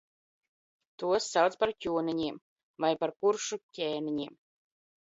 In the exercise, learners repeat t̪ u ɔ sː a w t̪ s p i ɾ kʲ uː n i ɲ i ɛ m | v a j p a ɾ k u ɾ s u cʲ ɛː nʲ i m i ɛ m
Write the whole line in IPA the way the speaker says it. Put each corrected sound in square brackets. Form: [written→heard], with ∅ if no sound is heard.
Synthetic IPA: t̪ u ɔ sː a w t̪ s p [i→a] ɾ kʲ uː n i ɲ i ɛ m | v a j p a ɾ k u ɾ [s→ʃ] u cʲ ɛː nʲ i [m→ɲ] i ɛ m